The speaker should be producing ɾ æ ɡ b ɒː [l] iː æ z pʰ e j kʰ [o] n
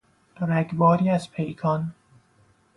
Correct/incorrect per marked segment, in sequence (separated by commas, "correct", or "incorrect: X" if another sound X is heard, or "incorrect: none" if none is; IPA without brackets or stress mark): incorrect: ɾ, incorrect: ɒ